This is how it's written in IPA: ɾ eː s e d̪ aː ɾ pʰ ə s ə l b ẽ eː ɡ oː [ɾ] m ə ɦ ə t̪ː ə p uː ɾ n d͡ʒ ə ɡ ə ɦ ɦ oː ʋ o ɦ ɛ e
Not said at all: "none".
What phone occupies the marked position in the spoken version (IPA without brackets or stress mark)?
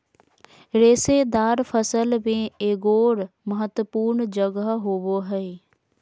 ɾ